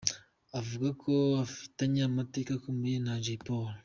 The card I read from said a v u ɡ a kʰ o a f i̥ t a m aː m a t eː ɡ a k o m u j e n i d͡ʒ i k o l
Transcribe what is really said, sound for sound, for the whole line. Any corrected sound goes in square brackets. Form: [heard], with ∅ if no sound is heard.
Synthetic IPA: a v u ɡ a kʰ o a f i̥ t a [ɲ] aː m a t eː [k] a k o m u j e n [a] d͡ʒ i [p] o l